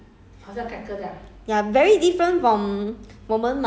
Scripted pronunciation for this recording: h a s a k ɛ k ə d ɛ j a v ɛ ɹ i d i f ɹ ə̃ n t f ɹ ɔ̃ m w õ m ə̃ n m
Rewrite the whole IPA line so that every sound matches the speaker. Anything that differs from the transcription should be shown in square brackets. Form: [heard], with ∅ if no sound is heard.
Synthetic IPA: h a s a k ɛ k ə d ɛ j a v ɛ ɹ i d i f ɹ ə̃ n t f ɹ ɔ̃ m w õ m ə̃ n m